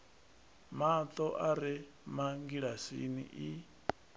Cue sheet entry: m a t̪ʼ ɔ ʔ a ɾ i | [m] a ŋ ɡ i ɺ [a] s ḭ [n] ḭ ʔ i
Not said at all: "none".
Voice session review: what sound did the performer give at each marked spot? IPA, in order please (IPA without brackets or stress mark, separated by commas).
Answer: m, a, n